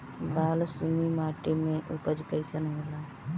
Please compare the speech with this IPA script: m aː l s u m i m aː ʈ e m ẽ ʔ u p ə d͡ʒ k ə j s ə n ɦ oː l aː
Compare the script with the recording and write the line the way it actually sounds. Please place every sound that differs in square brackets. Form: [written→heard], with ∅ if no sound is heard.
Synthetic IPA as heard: [m→b] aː l s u m i m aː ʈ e m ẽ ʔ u p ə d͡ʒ k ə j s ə n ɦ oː l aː